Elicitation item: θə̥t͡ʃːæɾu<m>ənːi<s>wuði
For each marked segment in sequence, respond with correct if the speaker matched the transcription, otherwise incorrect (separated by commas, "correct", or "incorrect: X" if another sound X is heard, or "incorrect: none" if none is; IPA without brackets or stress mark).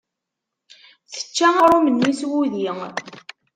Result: correct, correct